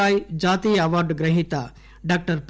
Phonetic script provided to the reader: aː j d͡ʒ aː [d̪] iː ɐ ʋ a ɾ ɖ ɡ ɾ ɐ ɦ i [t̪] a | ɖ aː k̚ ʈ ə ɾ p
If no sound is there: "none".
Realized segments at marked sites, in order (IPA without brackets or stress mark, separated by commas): t̪, t̪